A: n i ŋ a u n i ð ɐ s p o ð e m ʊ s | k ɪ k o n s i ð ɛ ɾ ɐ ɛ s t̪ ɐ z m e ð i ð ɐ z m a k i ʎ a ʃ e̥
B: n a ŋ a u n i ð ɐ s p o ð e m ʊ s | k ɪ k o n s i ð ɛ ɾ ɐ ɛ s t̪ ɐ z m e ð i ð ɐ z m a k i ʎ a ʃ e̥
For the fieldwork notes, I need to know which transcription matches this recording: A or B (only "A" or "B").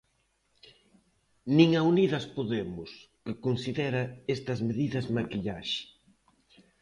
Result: A